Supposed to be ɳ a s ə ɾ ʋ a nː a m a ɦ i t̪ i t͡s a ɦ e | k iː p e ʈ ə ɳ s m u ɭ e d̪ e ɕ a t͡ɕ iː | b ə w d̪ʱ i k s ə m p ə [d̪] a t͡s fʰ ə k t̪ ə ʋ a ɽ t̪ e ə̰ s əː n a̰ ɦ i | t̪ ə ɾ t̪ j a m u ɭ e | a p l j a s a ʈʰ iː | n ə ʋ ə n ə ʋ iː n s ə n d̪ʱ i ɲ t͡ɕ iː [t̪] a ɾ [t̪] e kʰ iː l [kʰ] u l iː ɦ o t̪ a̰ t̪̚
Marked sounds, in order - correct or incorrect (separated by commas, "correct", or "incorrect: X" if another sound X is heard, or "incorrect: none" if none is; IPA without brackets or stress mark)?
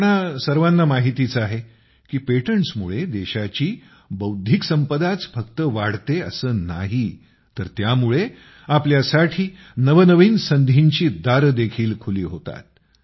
correct, incorrect: d̪, incorrect: d̪, correct